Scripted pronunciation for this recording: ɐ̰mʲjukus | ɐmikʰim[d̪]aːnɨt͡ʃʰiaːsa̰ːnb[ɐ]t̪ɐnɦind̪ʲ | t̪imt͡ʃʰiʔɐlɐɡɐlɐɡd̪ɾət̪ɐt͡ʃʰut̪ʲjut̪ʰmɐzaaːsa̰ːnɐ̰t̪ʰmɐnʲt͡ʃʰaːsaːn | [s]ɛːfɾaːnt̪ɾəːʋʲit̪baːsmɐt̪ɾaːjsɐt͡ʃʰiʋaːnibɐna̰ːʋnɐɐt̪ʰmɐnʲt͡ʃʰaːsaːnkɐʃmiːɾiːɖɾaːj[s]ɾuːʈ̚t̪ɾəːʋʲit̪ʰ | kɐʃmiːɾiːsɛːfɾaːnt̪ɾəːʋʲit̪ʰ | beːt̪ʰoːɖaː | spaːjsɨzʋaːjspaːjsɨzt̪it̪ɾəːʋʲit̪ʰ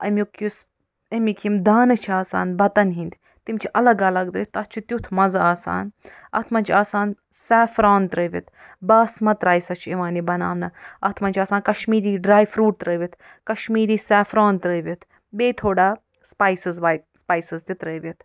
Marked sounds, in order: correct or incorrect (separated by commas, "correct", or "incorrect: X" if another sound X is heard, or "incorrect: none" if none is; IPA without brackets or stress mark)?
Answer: correct, correct, correct, incorrect: f